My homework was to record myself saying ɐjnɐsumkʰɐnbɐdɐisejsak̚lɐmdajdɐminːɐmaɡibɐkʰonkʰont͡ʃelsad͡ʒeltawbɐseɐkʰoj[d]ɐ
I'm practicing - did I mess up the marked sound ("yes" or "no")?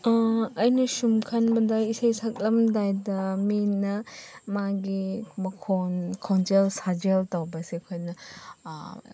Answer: yes